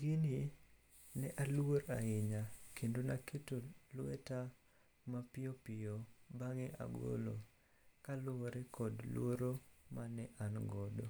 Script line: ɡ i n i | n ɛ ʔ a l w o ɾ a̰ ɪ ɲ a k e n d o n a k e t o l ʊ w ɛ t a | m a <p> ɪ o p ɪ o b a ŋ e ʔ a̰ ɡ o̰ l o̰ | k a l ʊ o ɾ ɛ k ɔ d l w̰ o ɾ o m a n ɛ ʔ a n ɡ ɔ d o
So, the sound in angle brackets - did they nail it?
yes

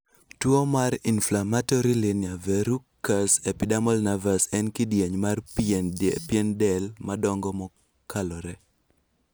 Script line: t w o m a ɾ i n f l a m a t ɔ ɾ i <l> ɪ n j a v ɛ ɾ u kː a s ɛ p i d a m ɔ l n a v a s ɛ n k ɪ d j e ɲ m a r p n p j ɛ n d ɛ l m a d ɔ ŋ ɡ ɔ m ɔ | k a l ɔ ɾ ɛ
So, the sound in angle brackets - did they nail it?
yes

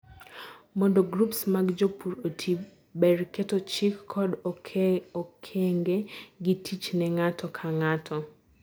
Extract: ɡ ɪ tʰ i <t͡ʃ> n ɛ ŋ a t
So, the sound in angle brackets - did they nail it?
yes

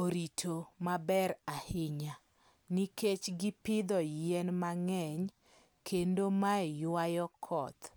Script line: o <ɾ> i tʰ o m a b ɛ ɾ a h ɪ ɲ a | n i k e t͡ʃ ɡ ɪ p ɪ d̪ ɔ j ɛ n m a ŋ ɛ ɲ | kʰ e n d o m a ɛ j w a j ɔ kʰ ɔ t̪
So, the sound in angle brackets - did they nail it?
yes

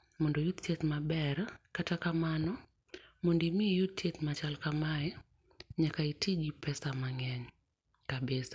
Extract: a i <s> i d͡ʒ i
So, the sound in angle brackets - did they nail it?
no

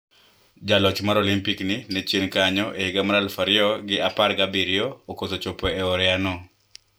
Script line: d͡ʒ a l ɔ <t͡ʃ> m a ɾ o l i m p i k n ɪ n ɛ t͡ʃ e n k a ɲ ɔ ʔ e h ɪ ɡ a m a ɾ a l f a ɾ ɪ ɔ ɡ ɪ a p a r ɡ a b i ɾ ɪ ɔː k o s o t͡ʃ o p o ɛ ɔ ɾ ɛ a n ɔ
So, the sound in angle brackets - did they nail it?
yes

